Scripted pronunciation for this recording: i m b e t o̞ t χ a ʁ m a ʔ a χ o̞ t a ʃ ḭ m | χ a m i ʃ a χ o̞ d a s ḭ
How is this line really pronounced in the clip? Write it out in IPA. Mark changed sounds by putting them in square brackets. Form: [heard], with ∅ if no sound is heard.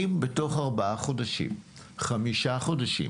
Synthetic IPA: i m b e t o̞ [∅] χ a ʁ [b] a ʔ a χ o̞ [d] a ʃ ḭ m | χ a m i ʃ a χ o̞ d a [ʃ] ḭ